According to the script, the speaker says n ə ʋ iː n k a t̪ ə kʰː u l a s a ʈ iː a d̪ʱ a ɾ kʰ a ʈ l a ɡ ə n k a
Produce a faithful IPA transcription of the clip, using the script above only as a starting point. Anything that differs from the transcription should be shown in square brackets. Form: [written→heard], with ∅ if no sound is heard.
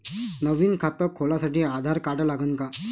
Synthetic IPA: n ə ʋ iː n [k→kʰ] a t̪ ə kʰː [u→o] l a s a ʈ iː a d̪ʱ a ɾ [kʰ→k] a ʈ l a ɡ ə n k a